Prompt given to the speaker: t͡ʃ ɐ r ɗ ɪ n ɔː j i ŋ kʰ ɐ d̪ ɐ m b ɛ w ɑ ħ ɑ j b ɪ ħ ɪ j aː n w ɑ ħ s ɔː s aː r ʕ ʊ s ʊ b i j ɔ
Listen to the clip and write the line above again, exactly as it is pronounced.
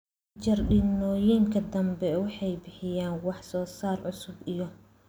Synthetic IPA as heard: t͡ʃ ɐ r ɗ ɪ n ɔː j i ŋ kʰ ɐ d̪ ɐ m b ɛ w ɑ ħ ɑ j b ɪ ħ ɪ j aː n w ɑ ħ s ɔː s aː r ʕ ʊ s ʊ b i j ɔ